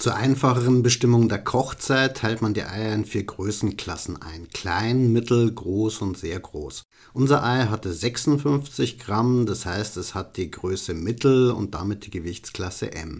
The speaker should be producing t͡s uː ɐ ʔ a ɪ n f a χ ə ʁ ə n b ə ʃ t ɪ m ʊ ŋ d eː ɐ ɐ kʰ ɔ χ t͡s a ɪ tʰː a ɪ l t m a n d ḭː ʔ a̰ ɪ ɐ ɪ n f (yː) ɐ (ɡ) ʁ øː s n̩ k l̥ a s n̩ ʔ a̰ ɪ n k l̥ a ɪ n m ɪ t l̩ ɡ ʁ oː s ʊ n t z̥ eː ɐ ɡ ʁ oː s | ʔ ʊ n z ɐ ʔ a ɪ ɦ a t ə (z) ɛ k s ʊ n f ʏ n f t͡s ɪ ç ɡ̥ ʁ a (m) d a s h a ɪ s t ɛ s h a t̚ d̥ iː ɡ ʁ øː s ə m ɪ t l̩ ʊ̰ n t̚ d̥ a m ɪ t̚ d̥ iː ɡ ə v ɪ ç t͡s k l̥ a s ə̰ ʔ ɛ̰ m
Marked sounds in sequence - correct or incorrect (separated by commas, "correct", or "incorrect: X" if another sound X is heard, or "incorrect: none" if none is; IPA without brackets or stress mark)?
incorrect: iː, correct, correct, correct